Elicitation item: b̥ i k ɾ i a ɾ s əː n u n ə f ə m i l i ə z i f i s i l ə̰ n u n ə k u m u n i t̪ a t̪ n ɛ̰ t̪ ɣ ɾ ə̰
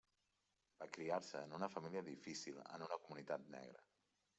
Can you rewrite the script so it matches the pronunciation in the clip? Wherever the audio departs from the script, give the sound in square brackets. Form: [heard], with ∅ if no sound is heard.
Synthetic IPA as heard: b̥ [a] k ɾ i a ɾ s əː n u n ə f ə m i l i ə [ð] i f i s i l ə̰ n u n ə k u m u n i t̪ a t̪ n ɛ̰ [∅] ɣ ɾ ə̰